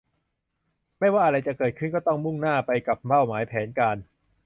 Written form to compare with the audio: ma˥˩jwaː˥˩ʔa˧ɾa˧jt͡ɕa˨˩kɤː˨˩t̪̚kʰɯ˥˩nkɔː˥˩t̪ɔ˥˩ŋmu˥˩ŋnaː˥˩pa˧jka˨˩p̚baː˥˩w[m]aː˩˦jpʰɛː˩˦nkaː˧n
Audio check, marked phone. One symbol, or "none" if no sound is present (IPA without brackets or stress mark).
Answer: m